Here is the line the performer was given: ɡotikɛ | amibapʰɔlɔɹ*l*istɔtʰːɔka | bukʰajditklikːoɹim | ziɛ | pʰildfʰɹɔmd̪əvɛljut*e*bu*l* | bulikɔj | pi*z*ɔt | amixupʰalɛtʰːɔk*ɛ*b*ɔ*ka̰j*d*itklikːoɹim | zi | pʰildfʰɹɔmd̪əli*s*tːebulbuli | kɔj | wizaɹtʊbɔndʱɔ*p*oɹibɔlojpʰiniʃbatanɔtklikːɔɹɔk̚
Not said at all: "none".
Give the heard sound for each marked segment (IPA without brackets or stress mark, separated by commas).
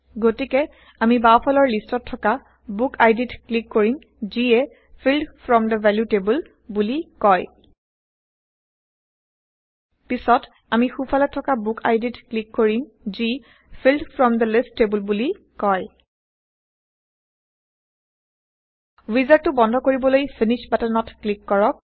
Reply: l, e, l, s, a, u, d, s, k